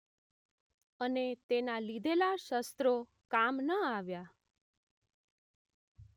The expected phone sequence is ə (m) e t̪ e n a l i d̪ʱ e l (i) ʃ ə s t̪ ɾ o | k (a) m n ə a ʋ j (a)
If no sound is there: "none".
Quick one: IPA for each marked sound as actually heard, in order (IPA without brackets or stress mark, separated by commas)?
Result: n, a, a, a